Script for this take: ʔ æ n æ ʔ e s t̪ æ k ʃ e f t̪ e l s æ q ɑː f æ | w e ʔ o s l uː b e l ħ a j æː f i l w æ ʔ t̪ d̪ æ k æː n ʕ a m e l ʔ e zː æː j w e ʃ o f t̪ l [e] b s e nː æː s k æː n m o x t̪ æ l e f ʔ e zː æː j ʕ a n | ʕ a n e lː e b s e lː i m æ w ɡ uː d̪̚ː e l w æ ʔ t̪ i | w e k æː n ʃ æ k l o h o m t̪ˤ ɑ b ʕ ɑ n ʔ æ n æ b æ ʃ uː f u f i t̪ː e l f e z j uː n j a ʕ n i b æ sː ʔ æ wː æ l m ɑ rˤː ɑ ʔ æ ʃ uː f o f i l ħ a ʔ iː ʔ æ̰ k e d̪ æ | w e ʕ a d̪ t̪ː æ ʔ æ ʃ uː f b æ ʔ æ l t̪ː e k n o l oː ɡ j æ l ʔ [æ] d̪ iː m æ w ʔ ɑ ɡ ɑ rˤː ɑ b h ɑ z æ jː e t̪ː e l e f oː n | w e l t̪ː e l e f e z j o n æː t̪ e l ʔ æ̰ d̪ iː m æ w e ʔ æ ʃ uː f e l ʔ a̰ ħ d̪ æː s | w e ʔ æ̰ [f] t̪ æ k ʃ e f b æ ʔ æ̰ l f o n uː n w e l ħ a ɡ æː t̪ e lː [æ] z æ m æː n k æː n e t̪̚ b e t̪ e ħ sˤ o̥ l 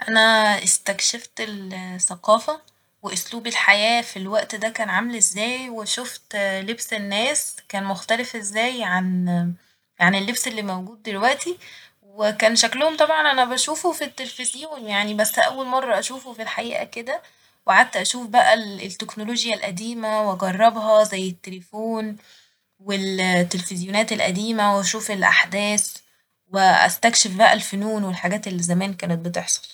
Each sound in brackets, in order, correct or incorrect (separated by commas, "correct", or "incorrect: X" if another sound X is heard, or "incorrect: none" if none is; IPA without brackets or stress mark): correct, correct, incorrect: s, incorrect: i